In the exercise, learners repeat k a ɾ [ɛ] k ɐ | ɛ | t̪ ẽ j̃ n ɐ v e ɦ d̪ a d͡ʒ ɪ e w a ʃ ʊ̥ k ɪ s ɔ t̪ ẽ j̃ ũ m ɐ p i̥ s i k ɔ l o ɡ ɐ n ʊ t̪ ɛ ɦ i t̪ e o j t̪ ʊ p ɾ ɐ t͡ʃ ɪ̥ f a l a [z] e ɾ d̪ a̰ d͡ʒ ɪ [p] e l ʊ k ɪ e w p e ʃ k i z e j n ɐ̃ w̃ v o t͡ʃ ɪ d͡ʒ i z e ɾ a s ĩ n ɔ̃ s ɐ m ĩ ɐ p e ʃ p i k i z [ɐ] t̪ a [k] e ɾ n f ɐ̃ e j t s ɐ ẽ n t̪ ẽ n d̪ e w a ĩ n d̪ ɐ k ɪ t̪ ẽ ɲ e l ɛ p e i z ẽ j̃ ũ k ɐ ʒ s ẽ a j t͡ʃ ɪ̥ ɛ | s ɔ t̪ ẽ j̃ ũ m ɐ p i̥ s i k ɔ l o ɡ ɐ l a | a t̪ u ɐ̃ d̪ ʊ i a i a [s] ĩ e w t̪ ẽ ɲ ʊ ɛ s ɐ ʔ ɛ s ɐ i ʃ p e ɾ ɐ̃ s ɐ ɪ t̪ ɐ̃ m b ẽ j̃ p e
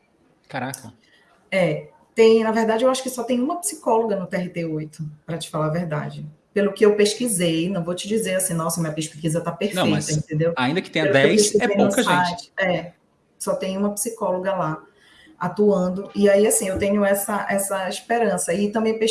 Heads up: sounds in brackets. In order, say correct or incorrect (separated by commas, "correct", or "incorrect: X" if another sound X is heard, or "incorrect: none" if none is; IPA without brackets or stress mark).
incorrect: a, incorrect: v, correct, correct, incorrect: p, correct